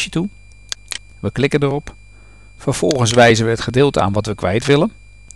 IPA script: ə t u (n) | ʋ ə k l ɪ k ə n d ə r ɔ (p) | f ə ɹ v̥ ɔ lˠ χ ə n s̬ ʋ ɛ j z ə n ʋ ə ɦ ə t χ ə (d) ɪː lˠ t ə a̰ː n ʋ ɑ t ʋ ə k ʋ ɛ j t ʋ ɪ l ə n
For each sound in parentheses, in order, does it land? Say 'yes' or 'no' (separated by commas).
no, yes, yes